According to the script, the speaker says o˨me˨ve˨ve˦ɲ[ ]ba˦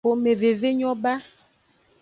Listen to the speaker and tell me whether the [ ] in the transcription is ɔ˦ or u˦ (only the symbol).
ɔ˦